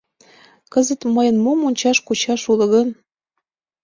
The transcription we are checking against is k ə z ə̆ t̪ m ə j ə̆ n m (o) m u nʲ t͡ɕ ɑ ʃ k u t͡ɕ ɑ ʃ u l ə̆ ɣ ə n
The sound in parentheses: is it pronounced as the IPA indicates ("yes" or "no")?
yes